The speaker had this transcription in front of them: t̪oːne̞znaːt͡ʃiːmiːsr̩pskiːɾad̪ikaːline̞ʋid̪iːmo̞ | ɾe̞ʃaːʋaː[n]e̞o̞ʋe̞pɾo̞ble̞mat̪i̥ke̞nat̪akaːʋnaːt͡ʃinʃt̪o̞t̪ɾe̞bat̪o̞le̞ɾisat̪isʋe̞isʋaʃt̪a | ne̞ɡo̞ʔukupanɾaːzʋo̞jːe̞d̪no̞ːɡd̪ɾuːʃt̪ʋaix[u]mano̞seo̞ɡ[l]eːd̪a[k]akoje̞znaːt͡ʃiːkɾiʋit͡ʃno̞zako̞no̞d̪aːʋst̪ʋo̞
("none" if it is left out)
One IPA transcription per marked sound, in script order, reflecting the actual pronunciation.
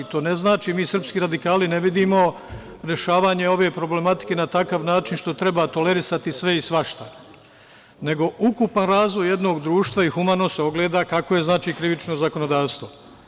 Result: ɲ, u, l, k

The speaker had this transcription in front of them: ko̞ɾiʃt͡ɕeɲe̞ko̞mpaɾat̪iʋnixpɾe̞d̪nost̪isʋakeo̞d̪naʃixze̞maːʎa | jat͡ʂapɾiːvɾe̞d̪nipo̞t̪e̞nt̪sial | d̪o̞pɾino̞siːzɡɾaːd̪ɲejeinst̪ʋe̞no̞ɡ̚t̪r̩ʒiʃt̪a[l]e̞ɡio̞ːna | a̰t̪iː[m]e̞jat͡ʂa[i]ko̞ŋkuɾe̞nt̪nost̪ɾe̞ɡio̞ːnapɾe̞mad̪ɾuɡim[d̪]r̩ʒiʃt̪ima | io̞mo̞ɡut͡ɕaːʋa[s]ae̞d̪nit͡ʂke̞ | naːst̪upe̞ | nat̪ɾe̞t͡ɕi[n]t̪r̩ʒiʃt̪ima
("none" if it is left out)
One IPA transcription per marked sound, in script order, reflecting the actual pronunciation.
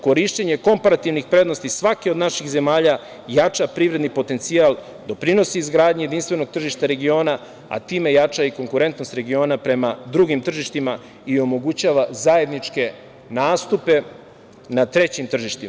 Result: ɾ, m, i, t̪, z, m

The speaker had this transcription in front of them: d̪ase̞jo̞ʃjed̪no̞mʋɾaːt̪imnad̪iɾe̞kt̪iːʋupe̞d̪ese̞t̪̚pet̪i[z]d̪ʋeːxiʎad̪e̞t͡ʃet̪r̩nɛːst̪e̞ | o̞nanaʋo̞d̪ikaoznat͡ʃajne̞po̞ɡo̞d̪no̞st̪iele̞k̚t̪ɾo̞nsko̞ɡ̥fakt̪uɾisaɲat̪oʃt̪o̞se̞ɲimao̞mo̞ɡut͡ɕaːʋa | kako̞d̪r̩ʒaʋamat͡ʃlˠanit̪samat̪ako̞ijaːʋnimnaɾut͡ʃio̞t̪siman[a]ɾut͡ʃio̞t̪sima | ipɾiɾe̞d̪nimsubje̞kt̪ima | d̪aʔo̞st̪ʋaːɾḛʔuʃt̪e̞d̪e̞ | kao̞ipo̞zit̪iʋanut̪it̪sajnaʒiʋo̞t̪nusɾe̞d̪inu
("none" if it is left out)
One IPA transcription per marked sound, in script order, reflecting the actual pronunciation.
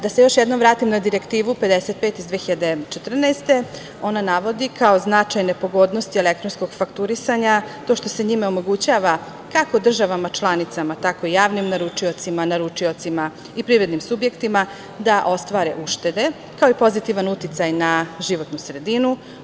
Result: z, a

